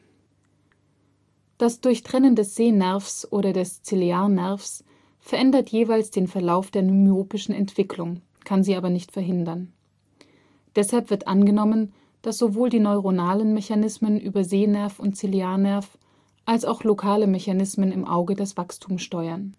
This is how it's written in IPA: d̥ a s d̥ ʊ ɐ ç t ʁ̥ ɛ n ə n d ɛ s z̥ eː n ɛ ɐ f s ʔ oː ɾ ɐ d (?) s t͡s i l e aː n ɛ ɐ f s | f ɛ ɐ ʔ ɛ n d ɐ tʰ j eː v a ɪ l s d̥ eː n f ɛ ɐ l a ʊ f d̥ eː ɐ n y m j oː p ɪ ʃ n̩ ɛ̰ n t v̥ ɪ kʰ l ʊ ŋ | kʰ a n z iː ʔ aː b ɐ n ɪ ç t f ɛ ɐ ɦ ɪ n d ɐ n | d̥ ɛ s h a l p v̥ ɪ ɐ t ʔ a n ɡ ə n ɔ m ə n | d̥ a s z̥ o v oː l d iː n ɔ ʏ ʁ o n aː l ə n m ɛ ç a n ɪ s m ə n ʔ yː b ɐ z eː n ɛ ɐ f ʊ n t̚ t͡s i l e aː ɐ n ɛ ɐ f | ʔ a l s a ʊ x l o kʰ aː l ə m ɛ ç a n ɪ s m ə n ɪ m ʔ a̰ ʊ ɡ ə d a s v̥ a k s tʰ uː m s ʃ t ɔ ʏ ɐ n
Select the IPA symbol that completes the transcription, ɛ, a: ɛ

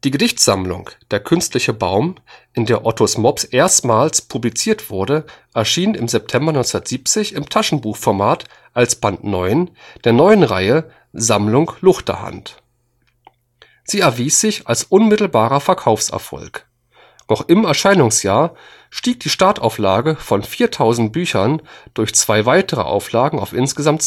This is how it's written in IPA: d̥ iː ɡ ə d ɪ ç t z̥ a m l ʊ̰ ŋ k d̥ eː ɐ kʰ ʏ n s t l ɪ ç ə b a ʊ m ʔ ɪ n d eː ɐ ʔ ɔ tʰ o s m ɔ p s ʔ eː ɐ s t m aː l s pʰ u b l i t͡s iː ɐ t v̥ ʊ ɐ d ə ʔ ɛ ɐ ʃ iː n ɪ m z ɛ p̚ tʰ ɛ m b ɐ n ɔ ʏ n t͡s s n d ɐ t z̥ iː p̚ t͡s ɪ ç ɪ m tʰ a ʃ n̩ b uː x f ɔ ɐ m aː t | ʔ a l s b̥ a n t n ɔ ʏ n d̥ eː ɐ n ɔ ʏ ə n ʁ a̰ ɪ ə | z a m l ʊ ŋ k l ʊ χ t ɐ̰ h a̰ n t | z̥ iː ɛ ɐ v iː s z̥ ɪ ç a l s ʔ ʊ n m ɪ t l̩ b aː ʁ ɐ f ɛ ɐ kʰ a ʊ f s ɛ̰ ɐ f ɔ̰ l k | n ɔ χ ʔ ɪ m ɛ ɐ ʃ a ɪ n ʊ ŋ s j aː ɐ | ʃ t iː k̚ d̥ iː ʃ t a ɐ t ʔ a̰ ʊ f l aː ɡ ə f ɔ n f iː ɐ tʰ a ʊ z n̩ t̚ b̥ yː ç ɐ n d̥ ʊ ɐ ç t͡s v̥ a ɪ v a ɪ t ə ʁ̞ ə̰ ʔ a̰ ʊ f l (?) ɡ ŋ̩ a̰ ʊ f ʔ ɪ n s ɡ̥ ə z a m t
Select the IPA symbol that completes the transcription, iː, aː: aː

